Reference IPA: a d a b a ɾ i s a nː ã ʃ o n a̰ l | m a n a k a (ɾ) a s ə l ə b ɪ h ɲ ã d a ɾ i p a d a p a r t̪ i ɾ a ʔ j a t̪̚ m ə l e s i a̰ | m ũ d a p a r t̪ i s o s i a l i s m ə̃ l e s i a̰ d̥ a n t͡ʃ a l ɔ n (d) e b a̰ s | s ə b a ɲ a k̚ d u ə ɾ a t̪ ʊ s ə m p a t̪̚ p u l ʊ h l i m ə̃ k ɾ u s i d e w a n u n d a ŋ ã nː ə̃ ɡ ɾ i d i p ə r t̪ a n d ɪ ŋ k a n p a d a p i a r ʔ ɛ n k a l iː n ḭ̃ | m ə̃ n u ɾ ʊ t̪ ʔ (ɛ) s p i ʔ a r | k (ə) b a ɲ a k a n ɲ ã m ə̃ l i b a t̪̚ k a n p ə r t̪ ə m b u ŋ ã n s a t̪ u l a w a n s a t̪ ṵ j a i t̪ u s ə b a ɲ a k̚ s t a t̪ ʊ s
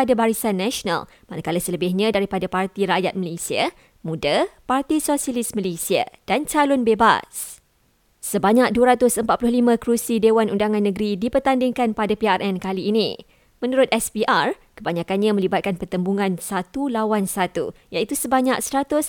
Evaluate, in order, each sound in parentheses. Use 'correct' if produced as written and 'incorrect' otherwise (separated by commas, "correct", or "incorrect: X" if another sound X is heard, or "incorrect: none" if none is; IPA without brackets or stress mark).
incorrect: l, incorrect: b, correct, correct